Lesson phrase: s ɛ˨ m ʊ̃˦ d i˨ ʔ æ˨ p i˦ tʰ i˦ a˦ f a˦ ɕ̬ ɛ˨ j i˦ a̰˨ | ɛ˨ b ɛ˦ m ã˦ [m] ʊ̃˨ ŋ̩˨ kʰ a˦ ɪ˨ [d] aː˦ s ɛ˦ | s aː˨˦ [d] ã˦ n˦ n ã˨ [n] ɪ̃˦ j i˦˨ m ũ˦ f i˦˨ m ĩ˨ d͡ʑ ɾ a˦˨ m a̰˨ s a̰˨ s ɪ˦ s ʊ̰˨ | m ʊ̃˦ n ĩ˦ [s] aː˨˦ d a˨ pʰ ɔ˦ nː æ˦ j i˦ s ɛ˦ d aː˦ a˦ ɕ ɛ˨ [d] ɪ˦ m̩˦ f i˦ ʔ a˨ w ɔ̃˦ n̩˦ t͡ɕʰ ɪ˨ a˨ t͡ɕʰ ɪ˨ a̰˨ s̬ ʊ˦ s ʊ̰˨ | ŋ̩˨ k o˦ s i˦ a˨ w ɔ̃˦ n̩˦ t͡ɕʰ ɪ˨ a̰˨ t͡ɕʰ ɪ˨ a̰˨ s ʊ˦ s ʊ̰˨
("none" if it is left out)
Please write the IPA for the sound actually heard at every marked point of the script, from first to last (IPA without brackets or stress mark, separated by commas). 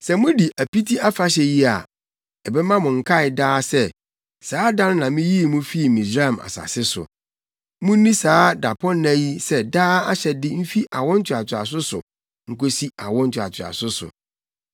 m, d, d, m, s, d